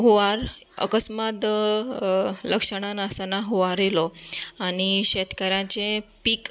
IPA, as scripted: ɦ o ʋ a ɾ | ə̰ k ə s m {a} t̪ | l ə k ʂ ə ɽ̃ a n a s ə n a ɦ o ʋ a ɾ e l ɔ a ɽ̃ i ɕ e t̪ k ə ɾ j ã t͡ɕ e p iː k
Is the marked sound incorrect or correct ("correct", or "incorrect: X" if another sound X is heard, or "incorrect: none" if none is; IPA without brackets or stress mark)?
correct